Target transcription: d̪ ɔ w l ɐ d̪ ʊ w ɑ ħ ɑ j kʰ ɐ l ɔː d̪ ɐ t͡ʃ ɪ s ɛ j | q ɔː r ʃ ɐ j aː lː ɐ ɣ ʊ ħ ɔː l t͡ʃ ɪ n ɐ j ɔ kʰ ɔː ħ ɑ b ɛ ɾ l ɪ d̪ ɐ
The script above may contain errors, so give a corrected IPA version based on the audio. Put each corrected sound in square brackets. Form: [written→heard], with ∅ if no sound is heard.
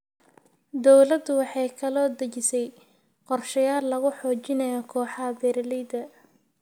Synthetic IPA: d̪ ɔ w l ɐ d̪ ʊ w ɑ ħ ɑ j kʰ ɐ l ɔː d̪ ɐ t͡ʃ ɪ s ɛ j | q [ɔː→ɔ] r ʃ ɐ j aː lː ɐ ɣ ʊ ħ ɔː [l→∅] t͡ʃ ɪ n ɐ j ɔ kʰ ɔː ħ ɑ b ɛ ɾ l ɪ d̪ ɐ